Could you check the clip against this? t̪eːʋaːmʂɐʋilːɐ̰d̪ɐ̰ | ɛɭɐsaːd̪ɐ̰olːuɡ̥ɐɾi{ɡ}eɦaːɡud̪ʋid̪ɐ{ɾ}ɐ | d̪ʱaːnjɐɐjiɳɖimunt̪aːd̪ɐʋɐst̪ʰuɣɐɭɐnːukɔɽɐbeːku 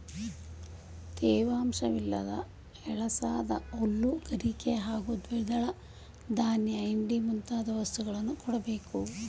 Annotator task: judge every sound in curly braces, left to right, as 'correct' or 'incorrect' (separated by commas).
incorrect, incorrect